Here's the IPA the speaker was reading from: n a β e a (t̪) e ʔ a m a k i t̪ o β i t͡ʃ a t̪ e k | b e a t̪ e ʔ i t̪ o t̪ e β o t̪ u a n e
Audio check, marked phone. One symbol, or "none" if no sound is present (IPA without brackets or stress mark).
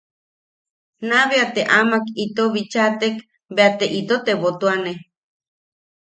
t̪